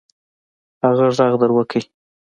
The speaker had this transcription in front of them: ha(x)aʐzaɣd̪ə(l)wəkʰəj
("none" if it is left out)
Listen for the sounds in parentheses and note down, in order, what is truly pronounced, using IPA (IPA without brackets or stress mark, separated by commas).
ɣ, ɾ